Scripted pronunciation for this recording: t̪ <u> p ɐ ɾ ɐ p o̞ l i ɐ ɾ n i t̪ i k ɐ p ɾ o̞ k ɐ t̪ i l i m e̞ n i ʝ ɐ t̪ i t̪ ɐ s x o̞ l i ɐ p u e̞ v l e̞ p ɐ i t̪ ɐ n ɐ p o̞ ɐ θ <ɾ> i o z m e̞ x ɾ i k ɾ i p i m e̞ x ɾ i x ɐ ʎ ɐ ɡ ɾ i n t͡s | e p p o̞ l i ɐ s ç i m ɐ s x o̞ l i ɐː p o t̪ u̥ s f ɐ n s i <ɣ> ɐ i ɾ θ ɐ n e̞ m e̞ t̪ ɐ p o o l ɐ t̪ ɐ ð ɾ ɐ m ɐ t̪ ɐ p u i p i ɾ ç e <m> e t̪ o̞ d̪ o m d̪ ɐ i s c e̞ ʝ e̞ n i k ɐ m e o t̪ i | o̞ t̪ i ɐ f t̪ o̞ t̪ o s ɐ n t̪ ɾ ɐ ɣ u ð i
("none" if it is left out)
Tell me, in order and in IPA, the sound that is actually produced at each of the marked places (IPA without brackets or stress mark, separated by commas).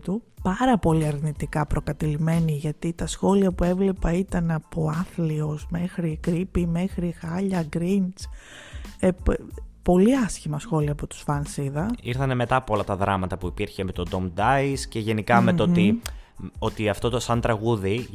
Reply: u, l, ð, m